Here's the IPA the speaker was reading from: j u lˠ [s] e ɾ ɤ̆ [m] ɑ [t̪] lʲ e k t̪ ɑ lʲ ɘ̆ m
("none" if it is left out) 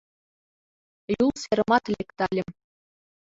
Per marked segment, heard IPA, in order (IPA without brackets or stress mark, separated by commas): s, m, t̪